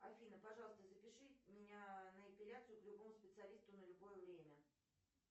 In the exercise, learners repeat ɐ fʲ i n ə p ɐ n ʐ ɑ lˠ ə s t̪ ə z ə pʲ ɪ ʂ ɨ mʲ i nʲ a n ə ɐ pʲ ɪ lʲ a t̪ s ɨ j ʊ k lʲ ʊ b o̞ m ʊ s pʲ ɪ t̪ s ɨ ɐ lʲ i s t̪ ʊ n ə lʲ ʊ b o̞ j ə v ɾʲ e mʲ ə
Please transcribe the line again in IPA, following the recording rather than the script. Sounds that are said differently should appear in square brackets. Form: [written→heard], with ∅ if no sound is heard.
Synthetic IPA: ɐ fʲ i n ə p ɐ [n→∅] ʐ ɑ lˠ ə s t̪ ə z ə pʲ ɪ ʂ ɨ mʲ [i→ɪ] nʲ a n ə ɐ pʲ ɪ lʲ a t̪ s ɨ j ʊ k lʲ ʊ b o̞ m ʊ s pʲ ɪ t̪ s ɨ ɐ lʲ i s t̪ ʊ n ə lʲ ʊ b o̞ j ə v ɾʲ e mʲ ə